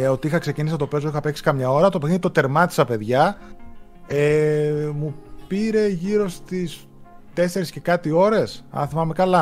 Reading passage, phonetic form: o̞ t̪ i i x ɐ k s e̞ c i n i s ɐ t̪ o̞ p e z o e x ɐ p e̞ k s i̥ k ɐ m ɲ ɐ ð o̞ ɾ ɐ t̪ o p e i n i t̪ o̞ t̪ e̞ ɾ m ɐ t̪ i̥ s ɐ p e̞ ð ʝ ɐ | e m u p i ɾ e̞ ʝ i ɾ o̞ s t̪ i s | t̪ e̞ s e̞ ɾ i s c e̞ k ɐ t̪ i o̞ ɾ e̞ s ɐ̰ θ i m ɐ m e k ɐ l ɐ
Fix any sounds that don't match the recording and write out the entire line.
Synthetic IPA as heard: o̞ t̪ i i x ɐ k s e̞ c i n i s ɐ t̪ o̞ p e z o i x ɐ p e̞ k s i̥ k ɐ m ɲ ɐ o̞ ɾ ɐ t̪ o p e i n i t̪ o̞ t̪ e̞ ɾ m ɐ t̪ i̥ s ɐ p e̞ ð ʝ ɐ | e m u p i ɾ e̞ ʝ i ɾ o̞ s t̪ i s | t̪ e̞ s e̞ ɾ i s c e̞ k ɐ t̪ i o̞ ɾ e̞ s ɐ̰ θ i m ɐ m e k ɐ l ɐ